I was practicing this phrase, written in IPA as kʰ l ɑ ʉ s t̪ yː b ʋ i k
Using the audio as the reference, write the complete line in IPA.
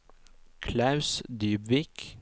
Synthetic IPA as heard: kʰ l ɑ ʉ s d̪ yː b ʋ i k

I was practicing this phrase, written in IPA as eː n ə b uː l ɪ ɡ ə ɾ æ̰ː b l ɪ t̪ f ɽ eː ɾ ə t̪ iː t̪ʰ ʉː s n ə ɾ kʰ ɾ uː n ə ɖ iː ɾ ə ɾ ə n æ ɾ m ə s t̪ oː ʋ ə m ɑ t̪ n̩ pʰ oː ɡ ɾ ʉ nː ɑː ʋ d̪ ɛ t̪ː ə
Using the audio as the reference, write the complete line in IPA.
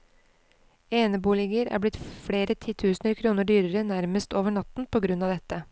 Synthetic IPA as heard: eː n ə b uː l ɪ ɡ ə ɾ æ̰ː b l ɪ t̪ f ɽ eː ɾ ə t̪ʰ iː t̪ʰ ʉː s n ə ɾ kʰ ɾ uː n ə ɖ yː ɾ ə ɾ ə n æ ɾ m ə s t̪ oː ʋ ə ɳ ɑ t̪ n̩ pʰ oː ɡ ɾ ʉ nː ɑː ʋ d̪ ɛ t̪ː ə

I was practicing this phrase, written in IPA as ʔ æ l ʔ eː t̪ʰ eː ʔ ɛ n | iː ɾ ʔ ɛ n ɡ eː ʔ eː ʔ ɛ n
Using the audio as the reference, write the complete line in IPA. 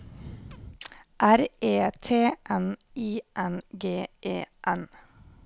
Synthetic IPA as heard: ʔ æ ɾ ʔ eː t̪ʰ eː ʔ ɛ n | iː ʔ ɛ n ɡ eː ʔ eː ʔ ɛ n

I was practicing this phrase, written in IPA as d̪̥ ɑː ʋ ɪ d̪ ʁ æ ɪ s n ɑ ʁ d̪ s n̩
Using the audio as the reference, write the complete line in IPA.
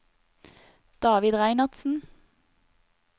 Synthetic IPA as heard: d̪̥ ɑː ʋ ɪ d̪ ʁ æ ɪ n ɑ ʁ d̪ s n̩

